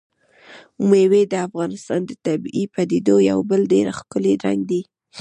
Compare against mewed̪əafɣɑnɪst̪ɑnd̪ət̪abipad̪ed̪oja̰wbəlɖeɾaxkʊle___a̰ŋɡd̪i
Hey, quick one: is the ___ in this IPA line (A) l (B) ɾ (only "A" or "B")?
B